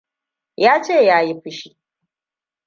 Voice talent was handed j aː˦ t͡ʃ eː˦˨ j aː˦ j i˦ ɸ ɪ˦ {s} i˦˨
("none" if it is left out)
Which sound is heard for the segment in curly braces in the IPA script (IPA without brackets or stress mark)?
ʃ